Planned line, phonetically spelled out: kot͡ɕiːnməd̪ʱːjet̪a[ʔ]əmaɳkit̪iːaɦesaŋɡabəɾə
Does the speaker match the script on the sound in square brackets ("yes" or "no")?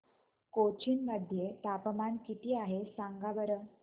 no